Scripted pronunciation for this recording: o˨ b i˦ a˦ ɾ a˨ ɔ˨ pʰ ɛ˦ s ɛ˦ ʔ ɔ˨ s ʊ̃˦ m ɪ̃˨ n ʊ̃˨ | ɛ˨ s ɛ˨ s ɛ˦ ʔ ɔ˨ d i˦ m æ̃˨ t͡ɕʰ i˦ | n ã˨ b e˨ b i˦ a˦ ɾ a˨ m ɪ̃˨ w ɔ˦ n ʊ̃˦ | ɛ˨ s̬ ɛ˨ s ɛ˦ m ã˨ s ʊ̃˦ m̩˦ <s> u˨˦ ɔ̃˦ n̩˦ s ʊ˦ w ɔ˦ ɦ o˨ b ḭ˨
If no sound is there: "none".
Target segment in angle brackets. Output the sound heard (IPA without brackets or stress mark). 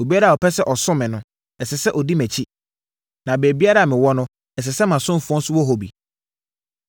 f